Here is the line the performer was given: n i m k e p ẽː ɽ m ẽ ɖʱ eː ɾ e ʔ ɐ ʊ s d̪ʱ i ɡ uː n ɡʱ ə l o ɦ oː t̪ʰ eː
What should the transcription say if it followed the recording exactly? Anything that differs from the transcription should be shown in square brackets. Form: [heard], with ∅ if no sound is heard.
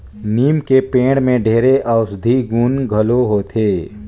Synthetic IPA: n [iː] m k e p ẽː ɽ m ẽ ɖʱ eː ɾ e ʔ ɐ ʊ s d̪ʱ i ɡ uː n ɡʱ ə l o ɦ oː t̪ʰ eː